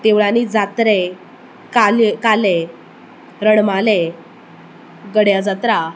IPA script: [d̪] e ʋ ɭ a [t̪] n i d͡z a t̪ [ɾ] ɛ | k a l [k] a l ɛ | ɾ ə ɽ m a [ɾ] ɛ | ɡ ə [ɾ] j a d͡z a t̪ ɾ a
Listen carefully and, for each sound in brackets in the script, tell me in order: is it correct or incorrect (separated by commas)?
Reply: incorrect, incorrect, correct, correct, incorrect, incorrect